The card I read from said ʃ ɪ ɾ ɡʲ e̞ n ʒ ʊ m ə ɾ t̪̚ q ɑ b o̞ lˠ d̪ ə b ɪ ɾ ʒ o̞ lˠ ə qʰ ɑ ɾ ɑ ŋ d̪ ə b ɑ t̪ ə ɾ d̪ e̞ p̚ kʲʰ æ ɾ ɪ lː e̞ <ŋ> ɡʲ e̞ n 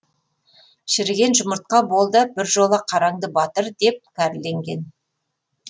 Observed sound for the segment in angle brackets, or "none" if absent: ŋ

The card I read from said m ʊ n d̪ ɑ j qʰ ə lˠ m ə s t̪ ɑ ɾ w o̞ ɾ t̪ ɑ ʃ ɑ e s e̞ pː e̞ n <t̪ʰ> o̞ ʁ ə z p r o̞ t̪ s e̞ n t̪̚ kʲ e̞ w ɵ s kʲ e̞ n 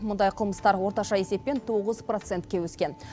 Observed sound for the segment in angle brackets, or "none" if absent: t̪ʰ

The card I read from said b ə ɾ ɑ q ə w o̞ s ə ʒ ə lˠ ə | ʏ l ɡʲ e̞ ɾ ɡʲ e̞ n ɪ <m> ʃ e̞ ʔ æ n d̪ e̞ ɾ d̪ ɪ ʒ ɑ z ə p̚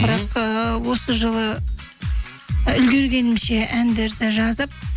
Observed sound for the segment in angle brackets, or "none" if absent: m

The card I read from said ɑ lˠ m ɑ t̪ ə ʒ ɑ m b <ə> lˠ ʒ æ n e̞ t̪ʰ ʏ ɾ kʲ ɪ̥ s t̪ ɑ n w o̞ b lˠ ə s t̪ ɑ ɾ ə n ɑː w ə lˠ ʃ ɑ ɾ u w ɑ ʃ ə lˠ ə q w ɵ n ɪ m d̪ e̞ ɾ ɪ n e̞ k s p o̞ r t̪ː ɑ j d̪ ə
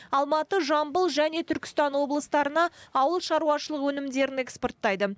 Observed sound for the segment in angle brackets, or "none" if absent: ə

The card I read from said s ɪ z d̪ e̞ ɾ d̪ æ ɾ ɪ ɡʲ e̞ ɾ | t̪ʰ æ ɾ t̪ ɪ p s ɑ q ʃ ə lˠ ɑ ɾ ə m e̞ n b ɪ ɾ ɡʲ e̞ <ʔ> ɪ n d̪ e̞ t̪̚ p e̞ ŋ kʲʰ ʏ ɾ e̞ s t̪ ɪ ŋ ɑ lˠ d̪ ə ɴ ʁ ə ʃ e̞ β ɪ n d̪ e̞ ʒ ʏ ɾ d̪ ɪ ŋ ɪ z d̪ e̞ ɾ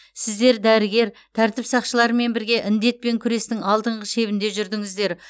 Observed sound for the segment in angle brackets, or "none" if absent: ʔ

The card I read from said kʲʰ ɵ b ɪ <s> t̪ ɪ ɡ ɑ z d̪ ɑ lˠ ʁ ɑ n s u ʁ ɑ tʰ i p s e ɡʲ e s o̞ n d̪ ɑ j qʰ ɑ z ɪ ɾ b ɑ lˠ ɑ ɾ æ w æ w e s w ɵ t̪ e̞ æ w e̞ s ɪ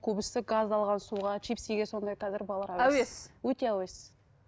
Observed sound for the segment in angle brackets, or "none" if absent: s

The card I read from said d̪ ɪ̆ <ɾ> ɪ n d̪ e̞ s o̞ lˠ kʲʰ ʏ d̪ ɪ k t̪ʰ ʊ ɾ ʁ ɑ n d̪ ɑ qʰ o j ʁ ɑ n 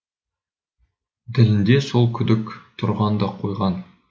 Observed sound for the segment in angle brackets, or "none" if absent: l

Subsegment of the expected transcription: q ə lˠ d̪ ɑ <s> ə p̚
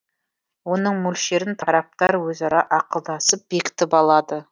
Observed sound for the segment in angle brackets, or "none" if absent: s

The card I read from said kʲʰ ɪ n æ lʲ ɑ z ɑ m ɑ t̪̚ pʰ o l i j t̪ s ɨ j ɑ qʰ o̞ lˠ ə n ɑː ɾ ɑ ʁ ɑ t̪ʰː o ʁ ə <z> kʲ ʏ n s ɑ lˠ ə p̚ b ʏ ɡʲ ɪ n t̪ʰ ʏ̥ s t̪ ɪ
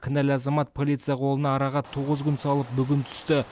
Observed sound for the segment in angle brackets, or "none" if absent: z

